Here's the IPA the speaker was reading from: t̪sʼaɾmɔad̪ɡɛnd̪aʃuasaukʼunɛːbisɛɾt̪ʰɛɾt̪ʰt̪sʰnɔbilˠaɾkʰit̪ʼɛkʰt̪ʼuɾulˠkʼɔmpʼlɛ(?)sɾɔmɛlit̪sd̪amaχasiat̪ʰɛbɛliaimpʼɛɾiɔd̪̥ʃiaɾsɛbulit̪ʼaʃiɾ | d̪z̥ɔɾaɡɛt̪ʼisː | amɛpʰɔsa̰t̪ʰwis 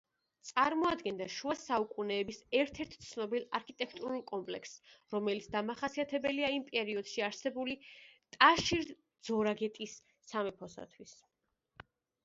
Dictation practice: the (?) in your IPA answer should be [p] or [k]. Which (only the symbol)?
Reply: k